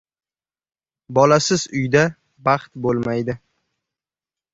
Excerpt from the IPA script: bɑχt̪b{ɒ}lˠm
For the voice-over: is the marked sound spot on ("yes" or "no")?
no